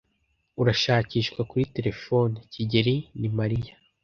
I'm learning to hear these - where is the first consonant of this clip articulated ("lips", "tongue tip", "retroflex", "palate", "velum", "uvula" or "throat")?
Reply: tongue tip